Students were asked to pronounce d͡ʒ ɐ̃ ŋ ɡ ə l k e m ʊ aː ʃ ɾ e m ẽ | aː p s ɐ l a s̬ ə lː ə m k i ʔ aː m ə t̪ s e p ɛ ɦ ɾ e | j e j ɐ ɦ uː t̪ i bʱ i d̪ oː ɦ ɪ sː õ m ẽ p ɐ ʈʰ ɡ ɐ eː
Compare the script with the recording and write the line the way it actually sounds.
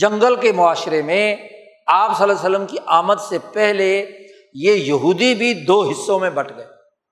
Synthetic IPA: d͡ʒ ɐ̃ ŋ ɡ ə l k e m ʊ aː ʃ ɾ e m ẽ | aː p s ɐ l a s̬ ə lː ə m k i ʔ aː m ə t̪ s e p ɛ ɦ l e | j e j ɐ ɦ uː d̪ i bʱ i d̪ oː ɦ ɪ sː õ m ẽ b ɐ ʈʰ ɡ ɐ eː